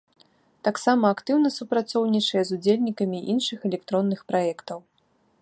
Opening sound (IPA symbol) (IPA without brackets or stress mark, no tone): t̪